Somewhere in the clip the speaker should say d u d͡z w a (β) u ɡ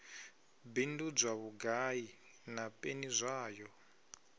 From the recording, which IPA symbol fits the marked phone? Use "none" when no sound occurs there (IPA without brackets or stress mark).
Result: β